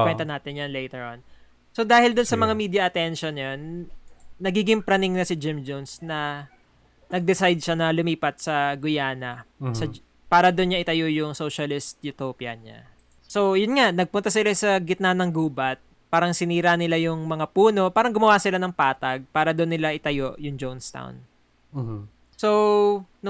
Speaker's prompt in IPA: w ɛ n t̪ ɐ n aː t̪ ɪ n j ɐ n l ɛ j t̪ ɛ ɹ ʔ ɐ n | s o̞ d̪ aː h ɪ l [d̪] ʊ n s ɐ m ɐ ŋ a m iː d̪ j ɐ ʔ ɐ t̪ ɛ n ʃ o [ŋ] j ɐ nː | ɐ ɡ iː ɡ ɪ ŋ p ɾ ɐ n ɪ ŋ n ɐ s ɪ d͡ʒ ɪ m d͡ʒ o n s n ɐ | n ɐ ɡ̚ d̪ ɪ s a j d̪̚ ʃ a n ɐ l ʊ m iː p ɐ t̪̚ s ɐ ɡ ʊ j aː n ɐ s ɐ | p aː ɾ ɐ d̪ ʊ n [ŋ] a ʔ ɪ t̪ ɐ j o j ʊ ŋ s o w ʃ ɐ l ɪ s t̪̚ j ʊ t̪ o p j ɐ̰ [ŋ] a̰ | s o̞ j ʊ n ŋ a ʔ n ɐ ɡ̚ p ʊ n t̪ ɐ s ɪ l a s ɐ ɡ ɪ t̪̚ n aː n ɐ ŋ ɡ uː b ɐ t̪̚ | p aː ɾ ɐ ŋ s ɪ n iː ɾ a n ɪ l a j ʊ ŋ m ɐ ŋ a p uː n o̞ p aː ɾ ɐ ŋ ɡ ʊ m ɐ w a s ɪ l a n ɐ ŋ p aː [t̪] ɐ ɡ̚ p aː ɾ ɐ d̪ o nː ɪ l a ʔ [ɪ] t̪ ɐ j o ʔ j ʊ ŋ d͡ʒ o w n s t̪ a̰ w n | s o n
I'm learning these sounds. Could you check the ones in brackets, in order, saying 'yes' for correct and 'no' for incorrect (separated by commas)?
yes, no, no, no, yes, yes